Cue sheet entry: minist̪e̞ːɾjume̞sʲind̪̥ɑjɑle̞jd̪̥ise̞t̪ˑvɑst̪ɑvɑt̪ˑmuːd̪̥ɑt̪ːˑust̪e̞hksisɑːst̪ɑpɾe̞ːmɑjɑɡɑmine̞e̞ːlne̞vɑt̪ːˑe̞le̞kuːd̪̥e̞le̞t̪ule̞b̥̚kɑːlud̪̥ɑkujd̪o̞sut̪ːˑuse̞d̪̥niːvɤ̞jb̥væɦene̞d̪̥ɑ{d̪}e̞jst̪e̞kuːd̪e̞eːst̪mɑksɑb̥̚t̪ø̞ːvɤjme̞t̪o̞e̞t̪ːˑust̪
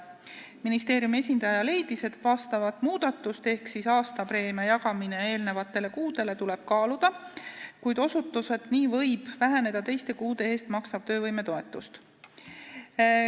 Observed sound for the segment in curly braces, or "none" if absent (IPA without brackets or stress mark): t̪